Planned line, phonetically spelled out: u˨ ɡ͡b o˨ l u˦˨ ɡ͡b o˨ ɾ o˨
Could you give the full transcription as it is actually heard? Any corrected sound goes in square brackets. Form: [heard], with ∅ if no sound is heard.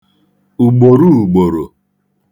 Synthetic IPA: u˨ ɡ͡b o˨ [ɾ] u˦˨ ɡ͡b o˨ ɾ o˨

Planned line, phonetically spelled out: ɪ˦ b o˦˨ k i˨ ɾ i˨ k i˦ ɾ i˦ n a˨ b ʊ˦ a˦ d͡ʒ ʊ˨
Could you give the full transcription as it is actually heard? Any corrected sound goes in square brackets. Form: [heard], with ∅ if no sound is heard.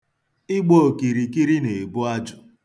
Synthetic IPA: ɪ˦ [ɡ͡b] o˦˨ k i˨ ɾ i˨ k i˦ ɾ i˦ n [e˨] b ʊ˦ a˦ d͡ʒ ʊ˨

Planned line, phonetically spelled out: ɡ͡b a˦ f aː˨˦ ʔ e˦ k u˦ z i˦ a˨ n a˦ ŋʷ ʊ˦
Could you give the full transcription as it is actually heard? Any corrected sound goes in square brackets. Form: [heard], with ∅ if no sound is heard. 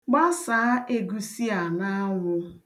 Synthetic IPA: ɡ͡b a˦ [s] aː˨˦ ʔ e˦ [ɡ] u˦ [s] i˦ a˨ n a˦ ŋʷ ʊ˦

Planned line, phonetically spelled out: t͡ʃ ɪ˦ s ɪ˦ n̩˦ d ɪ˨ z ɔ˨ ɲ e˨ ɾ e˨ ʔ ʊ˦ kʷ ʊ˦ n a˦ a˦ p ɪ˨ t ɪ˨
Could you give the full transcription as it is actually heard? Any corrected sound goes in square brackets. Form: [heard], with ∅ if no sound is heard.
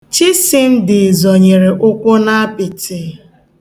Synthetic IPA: t͡ʃ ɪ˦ s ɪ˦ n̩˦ d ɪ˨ z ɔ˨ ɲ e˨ ɾ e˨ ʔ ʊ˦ kʷ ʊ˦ n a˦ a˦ p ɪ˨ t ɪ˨

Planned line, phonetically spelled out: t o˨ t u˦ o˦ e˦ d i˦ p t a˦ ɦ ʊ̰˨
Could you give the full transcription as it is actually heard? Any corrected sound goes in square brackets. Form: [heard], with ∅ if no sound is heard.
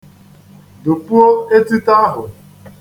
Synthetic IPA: [d] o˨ [p] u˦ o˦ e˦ [t] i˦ [∅] t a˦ ɦ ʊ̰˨

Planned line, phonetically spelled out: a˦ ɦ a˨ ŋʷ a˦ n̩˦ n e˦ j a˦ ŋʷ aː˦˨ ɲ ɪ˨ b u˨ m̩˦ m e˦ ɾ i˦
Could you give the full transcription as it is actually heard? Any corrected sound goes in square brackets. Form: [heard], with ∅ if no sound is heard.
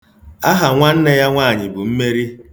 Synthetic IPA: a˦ ɦ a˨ ŋʷ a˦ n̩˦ n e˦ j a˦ ŋʷ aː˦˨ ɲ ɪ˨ b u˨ m̩˦ m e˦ ɾ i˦

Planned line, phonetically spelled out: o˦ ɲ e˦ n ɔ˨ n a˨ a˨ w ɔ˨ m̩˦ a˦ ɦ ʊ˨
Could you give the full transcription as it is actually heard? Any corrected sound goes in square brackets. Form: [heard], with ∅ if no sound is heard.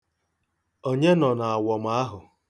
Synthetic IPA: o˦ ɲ e˦ n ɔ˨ n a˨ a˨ w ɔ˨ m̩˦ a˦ ɦ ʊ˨

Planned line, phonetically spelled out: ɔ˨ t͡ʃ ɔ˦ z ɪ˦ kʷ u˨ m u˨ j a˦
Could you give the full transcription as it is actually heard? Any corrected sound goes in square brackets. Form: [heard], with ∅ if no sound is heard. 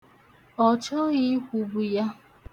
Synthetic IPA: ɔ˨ t͡ʃ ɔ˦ [ɣ] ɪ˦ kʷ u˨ [b] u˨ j a˦

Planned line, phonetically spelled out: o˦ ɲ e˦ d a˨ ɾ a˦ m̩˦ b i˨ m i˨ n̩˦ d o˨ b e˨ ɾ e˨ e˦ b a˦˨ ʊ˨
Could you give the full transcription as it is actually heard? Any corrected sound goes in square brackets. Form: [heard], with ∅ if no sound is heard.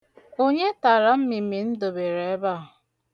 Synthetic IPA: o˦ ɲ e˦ [t] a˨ ɾ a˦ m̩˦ [m] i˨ m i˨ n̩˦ d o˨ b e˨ ɾ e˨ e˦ b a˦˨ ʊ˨

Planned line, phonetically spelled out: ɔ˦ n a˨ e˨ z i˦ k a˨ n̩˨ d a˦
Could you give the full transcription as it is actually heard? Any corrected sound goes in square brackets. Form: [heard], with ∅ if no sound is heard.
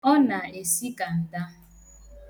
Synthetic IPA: ɔ˦ n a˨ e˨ [s] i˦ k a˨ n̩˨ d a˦

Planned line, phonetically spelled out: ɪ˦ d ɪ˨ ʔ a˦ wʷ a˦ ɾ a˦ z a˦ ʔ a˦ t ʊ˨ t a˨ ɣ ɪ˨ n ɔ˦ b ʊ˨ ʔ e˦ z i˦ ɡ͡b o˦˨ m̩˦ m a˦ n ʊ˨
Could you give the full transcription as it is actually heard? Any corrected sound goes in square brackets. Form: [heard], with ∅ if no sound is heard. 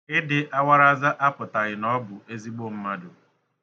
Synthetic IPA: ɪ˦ d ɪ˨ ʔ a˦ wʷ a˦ ɾ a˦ z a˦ ʔ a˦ [p] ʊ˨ t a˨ ɣ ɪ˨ n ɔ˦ b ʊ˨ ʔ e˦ z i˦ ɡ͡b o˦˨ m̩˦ m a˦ [d] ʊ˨

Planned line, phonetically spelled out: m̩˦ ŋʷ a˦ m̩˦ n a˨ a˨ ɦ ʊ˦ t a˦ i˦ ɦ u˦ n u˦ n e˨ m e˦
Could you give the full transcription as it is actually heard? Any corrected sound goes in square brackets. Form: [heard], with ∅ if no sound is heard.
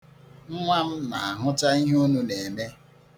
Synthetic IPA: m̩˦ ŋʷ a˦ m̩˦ n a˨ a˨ ɦ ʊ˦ t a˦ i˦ ɦ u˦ n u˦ n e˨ m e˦

